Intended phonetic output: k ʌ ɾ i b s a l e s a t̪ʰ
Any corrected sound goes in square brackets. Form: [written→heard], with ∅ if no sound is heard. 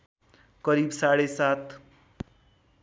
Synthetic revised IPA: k ʌ ɾ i b s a [l→ɽ] e s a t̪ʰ